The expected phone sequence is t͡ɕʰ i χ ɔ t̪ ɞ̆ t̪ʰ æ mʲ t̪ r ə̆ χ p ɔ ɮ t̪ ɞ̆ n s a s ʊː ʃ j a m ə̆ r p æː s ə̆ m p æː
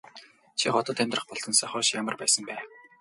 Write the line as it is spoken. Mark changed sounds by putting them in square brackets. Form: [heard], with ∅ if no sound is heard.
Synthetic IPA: t͡ɕʰ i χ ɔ t̪ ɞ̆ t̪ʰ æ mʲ t̪ r ə̆ χ p ɔ ɮ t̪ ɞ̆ n s a [χ] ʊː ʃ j a m ə̆ r p æː s ə̆ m p æː